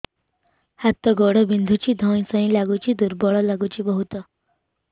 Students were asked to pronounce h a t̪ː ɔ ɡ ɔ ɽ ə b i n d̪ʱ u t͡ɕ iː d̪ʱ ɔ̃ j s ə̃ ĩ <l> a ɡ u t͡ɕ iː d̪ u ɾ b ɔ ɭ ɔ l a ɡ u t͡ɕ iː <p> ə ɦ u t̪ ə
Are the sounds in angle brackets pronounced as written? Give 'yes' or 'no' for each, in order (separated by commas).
yes, no